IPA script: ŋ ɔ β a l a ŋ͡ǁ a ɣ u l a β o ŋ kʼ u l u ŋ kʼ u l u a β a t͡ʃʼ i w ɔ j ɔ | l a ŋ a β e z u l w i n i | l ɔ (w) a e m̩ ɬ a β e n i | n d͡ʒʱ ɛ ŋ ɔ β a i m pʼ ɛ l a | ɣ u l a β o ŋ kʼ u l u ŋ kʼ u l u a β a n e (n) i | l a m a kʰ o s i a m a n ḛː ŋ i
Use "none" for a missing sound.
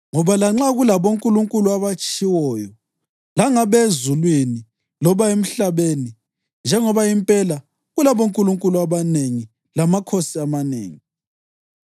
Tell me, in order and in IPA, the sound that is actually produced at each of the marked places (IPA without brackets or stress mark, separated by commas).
β, ŋ